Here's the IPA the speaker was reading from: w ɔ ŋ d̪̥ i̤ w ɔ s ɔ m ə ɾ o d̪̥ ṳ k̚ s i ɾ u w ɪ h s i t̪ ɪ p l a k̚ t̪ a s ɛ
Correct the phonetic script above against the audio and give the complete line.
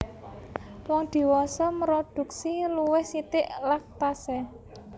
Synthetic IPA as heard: w ɔ ŋ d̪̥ i̤ w ɔ s ɔ m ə ɾ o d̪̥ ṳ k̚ s i l u w ɪ h s i t̪ ɪ ʔ l a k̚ t̪ a s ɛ